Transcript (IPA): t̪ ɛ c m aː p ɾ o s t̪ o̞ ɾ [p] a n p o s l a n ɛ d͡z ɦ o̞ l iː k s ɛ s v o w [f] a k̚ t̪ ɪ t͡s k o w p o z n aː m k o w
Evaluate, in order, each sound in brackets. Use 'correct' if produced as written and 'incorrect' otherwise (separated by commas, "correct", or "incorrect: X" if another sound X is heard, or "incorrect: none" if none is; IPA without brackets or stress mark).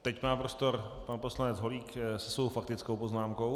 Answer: correct, correct